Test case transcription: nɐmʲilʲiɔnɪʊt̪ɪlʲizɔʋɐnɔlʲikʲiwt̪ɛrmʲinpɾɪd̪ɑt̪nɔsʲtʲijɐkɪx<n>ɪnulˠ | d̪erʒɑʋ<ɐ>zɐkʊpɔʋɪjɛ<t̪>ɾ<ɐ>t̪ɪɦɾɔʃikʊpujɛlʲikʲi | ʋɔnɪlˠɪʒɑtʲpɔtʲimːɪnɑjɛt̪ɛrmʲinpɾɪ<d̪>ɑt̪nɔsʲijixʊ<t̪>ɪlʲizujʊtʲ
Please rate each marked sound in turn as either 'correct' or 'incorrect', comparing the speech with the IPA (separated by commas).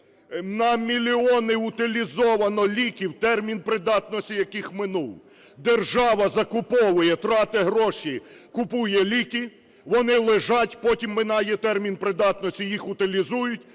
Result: incorrect, correct, correct, incorrect, correct, correct